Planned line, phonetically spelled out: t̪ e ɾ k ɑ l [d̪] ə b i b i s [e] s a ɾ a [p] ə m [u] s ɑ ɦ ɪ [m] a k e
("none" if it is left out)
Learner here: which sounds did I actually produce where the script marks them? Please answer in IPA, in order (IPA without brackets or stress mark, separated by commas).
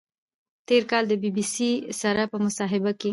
d̪, i, p, ʊ, b